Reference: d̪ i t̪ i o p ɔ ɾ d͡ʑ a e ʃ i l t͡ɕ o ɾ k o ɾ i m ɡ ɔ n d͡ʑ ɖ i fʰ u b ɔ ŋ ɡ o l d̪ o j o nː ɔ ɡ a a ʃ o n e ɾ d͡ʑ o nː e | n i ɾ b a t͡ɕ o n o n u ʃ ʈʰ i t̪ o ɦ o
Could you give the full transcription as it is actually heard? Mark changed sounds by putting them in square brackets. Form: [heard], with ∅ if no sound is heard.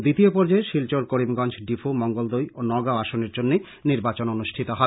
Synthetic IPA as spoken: d̪ i t̪ i o p ɔ ɾ d͡ʑ a e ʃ i l t͡ɕ o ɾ k o ɾ i m ɡ ɔ n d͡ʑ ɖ i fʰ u [m] ɔ ŋ ɡ o l d̪ o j o [n] ɔ ɡ a a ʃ o n e ɾ d͡ʑ o nː e | n i ɾ b a t͡ɕ o n o n u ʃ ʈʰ i t̪ o ɦ [ɔ]